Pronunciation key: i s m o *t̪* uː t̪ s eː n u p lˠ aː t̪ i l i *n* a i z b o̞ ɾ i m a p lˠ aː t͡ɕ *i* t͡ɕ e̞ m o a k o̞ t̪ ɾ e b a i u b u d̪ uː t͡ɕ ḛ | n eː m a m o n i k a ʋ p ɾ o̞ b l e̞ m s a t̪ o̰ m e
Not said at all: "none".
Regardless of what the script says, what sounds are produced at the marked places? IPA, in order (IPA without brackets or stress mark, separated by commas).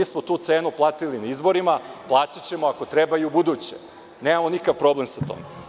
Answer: t̪, n, a